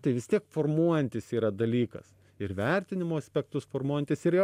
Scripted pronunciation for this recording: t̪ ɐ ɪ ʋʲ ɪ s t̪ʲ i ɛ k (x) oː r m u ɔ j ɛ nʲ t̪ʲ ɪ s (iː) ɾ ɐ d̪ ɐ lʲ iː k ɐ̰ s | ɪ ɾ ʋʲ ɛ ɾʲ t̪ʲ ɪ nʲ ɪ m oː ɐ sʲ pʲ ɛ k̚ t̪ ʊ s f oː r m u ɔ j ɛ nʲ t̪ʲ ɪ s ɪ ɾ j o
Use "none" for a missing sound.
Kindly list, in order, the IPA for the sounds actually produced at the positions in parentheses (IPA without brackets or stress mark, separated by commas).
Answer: f, iː